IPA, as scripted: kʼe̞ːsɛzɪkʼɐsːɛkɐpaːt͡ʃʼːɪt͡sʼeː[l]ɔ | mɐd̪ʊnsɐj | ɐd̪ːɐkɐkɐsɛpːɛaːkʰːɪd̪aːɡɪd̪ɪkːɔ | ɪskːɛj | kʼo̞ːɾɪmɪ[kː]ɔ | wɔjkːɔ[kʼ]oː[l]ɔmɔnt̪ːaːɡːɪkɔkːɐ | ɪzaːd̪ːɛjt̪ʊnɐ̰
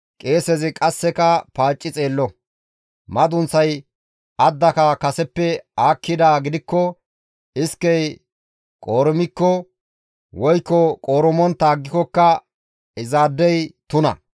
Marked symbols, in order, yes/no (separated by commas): no, yes, yes, no